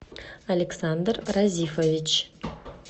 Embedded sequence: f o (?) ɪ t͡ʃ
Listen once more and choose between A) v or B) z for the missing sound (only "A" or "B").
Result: A